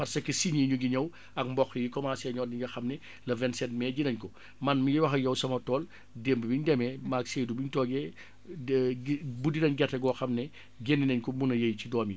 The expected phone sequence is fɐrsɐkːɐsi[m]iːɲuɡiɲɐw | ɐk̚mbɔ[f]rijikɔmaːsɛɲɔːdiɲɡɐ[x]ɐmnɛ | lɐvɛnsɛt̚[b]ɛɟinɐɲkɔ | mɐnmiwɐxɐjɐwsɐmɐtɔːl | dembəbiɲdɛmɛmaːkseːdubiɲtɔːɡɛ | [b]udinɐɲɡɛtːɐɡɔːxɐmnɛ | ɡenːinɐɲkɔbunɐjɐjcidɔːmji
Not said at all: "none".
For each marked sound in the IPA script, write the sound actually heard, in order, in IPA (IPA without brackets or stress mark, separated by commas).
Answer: ɲ, x, x, m, b